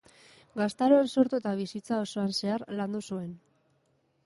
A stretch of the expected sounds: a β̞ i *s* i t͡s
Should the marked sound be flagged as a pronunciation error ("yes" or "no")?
no